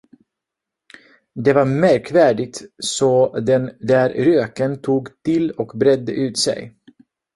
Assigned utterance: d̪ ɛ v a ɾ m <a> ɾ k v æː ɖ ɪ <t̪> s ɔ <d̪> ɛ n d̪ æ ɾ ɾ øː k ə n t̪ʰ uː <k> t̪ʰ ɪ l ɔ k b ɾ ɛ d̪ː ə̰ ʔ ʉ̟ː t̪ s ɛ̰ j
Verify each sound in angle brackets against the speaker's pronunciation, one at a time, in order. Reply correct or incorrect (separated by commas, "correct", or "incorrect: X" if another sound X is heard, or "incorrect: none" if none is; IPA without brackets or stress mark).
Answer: incorrect: æ, correct, correct, incorrect: ɡ